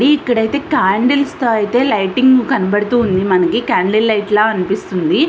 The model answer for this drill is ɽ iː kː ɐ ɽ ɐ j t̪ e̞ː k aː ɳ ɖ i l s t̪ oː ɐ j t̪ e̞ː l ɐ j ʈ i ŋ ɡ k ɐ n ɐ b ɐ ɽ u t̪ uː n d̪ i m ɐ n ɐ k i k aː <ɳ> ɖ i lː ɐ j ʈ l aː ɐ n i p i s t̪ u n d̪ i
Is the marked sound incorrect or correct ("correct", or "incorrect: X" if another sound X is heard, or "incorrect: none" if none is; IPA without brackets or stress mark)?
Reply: correct